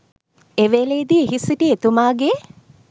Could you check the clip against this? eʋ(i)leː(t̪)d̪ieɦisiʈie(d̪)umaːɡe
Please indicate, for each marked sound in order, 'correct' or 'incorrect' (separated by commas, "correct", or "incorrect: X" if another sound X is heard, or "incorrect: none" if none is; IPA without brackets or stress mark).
incorrect: e, incorrect: none, incorrect: t̪